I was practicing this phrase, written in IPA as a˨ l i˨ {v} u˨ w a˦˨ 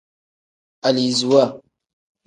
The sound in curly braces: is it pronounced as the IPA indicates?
no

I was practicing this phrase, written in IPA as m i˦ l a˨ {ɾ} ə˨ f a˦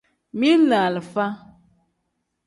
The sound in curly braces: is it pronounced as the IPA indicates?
no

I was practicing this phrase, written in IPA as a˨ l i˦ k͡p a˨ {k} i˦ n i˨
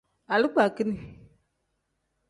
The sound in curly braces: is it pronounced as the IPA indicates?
yes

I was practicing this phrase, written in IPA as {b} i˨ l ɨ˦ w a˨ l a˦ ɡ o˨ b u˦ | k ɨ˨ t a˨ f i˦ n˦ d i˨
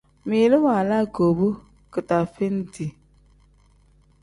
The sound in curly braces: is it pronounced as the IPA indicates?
no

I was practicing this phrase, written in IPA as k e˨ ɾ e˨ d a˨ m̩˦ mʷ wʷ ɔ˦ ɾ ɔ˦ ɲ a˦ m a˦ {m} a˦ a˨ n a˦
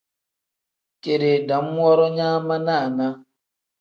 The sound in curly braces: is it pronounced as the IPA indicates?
no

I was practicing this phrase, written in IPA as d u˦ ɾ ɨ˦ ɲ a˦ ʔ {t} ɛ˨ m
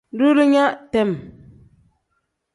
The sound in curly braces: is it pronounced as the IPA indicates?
yes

